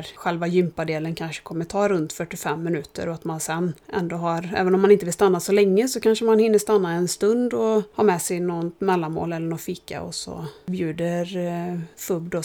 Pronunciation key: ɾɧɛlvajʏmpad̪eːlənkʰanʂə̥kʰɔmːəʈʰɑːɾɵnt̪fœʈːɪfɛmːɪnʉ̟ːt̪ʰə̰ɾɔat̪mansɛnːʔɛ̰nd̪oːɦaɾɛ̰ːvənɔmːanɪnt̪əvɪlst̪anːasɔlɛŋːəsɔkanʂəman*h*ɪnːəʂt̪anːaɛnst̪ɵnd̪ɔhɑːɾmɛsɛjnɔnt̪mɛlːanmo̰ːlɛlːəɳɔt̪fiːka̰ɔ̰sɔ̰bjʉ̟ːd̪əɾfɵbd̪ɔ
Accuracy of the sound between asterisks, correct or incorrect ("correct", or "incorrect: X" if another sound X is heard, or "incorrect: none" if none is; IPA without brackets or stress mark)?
correct